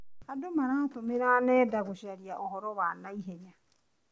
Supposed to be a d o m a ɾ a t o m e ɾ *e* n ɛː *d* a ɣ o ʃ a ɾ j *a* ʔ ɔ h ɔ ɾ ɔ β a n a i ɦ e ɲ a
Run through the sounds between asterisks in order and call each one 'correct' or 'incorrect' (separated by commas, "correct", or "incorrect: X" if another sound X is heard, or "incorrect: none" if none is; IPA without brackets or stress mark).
incorrect: a, correct, correct